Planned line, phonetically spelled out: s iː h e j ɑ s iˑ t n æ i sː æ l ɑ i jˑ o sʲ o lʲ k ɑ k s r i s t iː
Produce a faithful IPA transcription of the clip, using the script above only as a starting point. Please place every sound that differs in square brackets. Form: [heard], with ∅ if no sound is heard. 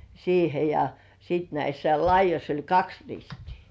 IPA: s iː h e j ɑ s iˑ t n æ i sː æ l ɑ i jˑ o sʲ o lʲ k ɑ k s r i s t iː